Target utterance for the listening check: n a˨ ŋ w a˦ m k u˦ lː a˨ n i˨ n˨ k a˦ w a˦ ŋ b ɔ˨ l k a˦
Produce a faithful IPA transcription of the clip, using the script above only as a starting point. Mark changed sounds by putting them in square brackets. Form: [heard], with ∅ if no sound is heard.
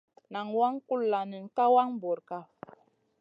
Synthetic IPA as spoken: n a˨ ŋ w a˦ [ŋ] k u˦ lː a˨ n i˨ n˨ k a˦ w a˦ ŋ b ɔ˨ [ɾ] k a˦